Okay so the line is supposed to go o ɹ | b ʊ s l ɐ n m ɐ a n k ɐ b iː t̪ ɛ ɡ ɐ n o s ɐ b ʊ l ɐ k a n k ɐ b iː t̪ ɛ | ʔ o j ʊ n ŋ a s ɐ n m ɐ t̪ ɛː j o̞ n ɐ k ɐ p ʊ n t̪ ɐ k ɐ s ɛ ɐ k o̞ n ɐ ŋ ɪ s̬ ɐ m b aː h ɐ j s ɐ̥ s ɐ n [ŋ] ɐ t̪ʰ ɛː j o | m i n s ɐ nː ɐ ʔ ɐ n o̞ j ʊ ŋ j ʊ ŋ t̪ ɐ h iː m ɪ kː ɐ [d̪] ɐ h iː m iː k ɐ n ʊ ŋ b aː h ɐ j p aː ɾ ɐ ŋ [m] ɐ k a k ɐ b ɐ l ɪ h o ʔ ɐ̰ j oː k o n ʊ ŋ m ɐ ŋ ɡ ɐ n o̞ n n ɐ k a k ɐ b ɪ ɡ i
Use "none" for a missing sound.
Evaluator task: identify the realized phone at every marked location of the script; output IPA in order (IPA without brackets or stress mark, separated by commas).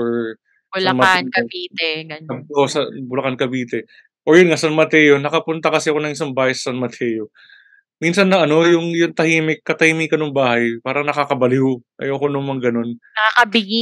m, t̪, n